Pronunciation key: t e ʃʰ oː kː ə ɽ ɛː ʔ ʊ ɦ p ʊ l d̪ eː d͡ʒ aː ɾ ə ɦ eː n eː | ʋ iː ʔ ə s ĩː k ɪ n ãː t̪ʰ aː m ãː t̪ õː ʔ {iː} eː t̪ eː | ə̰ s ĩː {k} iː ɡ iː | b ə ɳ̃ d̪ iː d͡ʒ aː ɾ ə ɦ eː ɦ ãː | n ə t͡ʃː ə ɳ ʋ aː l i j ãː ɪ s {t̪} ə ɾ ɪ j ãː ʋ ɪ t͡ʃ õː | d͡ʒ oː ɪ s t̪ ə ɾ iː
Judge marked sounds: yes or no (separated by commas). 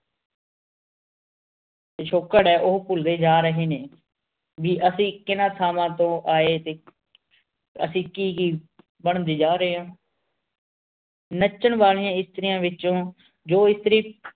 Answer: no, yes, yes